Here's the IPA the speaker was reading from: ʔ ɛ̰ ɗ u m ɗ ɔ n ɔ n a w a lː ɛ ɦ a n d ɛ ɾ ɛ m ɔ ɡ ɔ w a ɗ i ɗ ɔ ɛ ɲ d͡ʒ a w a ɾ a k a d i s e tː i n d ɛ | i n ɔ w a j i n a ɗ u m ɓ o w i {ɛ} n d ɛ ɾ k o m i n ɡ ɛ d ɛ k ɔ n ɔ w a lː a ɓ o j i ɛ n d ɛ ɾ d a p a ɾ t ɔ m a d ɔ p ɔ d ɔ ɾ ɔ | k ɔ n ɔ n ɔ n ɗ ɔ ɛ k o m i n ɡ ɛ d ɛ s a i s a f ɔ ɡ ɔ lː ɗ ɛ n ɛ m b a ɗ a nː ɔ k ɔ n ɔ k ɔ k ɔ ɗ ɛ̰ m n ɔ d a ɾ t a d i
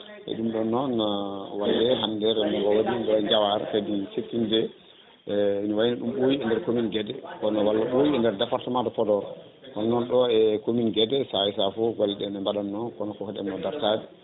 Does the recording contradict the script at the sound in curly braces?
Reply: no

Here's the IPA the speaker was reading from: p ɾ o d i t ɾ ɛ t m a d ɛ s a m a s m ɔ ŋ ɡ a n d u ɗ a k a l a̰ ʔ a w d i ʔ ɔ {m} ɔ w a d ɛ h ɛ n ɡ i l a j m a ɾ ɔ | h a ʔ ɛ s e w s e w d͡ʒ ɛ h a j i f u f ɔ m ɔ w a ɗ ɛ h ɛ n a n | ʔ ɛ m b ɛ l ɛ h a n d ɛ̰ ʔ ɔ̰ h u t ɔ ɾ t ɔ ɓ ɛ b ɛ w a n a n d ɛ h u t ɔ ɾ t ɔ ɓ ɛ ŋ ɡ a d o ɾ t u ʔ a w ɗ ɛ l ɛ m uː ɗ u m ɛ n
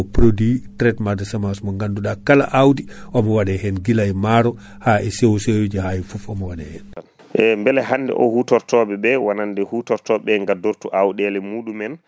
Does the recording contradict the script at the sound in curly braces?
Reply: no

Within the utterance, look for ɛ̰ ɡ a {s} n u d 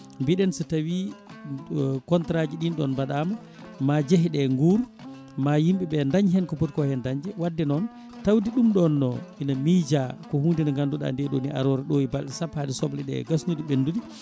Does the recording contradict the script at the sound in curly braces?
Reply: no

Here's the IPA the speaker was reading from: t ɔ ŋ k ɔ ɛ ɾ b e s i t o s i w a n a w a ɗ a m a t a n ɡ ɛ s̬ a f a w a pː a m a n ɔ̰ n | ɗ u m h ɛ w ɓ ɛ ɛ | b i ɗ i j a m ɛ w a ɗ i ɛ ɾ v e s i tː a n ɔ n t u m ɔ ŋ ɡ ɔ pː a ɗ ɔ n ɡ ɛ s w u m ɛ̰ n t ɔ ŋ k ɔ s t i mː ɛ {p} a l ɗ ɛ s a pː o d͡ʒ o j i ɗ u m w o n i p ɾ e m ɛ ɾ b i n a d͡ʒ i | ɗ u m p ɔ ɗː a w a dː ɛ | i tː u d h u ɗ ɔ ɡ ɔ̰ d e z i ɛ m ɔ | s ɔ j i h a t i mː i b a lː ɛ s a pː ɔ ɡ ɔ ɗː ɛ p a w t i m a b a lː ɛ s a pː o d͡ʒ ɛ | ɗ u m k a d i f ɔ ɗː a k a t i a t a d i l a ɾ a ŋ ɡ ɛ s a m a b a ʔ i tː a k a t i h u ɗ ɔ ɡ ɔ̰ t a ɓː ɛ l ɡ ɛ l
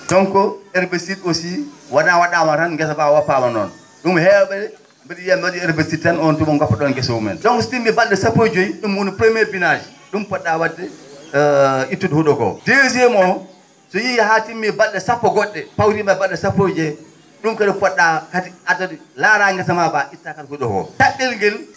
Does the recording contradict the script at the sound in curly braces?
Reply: yes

